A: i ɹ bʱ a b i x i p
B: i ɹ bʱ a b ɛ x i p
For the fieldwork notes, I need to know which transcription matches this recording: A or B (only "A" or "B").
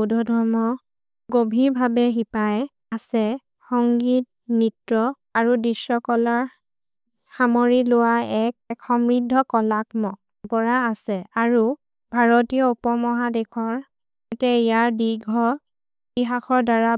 B